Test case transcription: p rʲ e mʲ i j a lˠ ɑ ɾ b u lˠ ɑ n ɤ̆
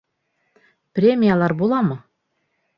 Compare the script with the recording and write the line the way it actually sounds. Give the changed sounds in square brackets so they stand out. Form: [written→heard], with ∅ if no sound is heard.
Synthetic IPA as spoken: p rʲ e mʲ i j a lˠ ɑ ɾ b u lˠ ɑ [n→m] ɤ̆